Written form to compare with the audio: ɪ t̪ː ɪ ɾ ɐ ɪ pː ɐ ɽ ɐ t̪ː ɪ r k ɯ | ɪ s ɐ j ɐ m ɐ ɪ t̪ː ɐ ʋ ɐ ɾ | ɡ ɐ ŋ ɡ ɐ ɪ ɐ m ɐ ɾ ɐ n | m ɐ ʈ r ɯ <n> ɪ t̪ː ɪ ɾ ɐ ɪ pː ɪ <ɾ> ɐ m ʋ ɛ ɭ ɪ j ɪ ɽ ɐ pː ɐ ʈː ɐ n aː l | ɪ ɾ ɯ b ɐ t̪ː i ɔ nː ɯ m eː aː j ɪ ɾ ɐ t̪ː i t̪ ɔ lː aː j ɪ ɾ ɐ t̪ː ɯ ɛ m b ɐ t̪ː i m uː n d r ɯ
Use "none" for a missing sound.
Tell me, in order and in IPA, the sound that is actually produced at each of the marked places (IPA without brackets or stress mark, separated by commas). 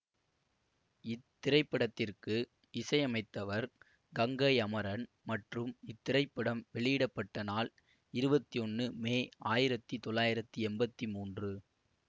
m, ɽ